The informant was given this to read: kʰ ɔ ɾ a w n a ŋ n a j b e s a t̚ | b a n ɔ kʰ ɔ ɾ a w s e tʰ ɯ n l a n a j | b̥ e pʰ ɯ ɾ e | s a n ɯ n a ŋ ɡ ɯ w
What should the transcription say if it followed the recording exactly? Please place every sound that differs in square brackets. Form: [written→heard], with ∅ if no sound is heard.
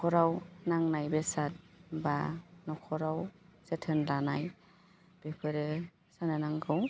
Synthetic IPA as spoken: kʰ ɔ ɾ a w n a ŋ n a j b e s a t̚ | b a n ɔ kʰ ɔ ɾ a w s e tʰ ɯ n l a n a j | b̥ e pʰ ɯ ɾ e | s a n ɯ n a ŋ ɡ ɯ w